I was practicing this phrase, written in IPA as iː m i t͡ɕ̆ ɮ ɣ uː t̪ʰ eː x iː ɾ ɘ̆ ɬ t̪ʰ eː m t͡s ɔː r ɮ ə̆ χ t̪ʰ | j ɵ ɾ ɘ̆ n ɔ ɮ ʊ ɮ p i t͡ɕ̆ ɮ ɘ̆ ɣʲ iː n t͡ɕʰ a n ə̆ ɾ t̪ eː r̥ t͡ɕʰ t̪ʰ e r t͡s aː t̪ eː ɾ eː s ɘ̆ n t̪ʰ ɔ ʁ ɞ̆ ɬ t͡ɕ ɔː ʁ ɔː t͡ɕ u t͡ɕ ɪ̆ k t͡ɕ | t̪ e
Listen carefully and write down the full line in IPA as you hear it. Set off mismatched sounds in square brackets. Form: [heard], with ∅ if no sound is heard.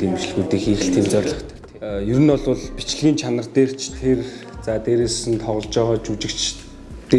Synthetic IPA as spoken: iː m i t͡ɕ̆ ɮ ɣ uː [t̪] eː x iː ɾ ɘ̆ ɬ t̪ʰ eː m t͡s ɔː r ɮ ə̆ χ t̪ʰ | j ɵ ɾ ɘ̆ n ɔ ɮ ʊ ɮ p i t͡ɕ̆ ɮ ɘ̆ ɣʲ iː n t͡ɕʰ a n ə̆ [r] t̪ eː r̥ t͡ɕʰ t̪ʰ e r t͡s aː t̪ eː ɾ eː s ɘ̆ n t̪ʰ ɔ ʁ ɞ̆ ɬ t͡ɕ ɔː ʁ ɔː t͡ɕ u t͡ɕ ɪ̆ k t͡ɕ | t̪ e